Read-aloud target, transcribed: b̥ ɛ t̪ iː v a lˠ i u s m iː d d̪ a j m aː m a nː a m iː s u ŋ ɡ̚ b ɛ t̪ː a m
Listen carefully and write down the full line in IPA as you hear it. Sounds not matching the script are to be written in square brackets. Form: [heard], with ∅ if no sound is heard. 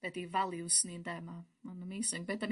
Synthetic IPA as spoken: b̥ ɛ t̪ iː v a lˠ i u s [n] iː [n] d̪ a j m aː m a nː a m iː s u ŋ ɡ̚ b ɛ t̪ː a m